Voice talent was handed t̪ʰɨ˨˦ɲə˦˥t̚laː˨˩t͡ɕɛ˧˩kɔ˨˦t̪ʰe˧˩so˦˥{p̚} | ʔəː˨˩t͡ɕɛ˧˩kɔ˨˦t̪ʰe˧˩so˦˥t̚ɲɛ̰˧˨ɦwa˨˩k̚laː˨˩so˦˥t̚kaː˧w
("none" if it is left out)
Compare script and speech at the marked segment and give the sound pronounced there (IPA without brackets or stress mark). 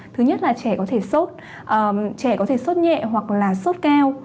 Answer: t̚